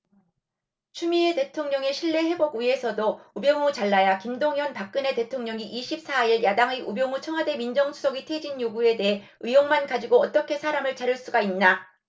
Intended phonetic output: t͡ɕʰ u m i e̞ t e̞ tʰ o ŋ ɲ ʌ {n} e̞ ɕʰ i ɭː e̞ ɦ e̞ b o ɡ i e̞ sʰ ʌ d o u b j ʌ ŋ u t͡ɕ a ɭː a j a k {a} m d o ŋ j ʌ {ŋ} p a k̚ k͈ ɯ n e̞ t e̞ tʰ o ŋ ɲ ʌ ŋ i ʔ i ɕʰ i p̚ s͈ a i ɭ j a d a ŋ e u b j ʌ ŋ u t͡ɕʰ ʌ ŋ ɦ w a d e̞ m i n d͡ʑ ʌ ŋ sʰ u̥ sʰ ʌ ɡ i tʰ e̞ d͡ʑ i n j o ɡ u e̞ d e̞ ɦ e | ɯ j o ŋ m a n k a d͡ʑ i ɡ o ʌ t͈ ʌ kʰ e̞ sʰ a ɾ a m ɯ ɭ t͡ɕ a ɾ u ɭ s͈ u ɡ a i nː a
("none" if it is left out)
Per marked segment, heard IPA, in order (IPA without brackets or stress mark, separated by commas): ŋ, i, n